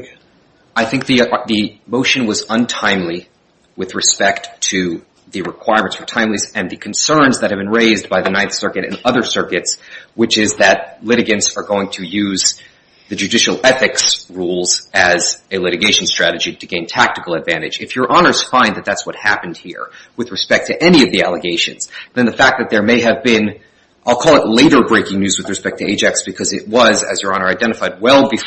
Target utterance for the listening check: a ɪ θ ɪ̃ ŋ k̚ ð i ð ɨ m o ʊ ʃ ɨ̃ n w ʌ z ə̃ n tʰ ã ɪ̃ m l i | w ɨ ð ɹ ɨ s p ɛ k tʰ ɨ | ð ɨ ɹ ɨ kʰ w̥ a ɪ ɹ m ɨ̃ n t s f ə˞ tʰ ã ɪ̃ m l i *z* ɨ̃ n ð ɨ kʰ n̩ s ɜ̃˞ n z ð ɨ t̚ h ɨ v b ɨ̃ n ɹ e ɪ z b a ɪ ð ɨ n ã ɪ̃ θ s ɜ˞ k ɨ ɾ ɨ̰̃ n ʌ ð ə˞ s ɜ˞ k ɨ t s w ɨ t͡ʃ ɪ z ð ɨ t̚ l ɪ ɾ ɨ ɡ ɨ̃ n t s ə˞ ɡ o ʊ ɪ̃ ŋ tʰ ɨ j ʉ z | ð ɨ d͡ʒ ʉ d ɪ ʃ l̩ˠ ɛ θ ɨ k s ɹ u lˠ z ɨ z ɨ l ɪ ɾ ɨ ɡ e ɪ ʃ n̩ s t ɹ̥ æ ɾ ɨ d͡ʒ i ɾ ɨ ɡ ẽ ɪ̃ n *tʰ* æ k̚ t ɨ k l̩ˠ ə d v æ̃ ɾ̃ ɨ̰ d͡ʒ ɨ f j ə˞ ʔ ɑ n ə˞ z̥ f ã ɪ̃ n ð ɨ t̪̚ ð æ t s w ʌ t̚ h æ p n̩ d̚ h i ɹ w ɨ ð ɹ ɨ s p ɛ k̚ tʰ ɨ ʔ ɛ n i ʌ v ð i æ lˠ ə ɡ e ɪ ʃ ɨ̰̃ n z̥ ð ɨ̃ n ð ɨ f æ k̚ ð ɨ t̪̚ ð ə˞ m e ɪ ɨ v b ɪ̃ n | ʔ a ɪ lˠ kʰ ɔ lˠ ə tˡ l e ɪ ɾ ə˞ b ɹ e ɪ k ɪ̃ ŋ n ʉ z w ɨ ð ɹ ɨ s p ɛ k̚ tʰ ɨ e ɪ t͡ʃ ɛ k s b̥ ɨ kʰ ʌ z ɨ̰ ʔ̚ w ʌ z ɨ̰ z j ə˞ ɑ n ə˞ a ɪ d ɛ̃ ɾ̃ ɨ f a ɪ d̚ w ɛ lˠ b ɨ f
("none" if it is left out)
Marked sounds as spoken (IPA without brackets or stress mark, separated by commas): z, tʰ